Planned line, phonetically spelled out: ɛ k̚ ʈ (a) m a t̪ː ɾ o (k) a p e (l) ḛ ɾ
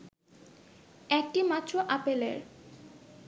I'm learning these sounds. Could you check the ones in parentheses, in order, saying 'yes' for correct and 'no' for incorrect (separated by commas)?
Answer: no, no, yes